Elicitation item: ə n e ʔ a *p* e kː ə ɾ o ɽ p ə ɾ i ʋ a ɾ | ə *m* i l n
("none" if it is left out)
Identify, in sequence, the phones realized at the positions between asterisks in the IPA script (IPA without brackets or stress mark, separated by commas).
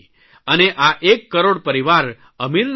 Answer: ʔ, m